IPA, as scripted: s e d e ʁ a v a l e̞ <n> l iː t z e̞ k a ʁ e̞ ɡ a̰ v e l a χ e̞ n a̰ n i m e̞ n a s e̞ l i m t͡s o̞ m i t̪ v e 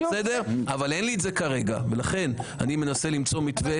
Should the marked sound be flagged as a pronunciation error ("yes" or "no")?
no